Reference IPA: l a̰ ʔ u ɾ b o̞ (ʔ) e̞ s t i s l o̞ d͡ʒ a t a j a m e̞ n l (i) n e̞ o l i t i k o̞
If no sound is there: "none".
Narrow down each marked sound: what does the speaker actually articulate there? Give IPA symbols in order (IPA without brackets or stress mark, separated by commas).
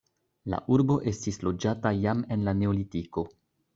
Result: ʔ, a